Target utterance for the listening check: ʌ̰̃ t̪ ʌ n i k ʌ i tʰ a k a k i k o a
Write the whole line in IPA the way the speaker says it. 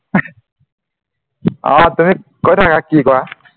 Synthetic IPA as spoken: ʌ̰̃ t̪ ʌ m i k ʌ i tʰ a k a k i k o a